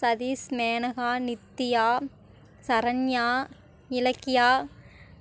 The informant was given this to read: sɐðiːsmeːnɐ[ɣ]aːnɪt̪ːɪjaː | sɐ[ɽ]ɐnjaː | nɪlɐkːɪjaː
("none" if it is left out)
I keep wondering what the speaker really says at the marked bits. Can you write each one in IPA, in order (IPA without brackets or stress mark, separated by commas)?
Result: ɣ, ɾ